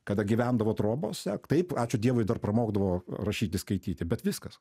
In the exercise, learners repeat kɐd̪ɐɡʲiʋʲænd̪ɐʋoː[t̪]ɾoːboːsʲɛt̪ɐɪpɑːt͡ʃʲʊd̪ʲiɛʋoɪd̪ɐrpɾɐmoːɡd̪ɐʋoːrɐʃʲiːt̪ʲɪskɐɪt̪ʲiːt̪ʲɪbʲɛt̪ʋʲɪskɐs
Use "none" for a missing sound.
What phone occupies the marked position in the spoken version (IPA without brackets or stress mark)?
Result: t̪